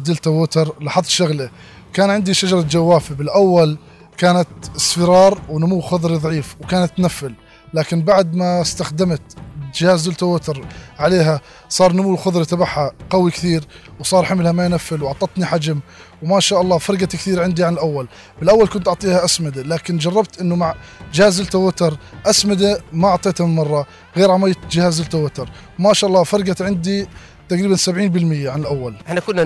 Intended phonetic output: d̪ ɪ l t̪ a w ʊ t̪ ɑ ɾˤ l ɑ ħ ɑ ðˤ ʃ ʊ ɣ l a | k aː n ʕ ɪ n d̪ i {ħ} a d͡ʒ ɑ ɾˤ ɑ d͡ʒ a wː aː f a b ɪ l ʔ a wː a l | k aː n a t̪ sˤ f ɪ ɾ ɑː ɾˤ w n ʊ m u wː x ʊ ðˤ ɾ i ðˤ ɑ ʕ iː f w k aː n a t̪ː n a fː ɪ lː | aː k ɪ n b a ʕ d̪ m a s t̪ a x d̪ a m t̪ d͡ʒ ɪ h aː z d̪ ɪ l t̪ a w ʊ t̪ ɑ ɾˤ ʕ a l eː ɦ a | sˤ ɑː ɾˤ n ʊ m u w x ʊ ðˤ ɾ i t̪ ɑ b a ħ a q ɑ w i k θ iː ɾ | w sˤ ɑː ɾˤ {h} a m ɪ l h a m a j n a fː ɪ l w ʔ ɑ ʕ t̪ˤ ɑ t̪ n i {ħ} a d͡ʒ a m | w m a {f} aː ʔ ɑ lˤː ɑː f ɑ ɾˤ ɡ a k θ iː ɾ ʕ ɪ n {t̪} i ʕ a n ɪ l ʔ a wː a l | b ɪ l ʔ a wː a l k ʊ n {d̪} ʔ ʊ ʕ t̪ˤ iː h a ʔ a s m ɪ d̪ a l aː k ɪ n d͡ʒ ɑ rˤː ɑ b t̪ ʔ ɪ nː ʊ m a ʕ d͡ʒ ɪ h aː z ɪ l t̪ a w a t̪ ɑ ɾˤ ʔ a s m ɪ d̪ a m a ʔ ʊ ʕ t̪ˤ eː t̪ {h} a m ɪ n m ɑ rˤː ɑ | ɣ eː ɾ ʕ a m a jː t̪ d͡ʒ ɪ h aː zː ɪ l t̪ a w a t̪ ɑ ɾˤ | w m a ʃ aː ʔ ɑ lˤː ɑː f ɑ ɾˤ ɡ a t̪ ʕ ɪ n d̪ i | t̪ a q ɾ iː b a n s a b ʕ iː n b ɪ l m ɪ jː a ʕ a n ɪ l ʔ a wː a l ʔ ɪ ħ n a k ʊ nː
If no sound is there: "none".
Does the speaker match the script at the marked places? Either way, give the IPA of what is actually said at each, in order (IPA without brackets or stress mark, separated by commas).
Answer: ʃ, ħ, ħ, ʃ, d̪, t̪, h